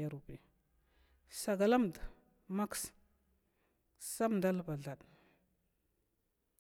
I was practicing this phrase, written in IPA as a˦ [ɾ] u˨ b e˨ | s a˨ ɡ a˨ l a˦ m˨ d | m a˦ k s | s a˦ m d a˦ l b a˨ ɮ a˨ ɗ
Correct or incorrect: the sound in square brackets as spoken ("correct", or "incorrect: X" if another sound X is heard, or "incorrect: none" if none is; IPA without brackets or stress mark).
correct